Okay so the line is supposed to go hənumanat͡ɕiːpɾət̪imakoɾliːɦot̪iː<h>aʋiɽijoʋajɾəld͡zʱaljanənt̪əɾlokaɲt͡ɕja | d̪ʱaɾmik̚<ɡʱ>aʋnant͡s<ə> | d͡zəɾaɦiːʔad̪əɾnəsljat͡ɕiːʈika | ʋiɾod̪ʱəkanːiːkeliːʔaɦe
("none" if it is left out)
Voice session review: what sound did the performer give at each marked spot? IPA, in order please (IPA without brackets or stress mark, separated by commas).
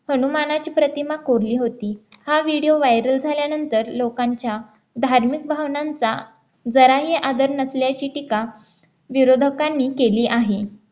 h, bʱ, a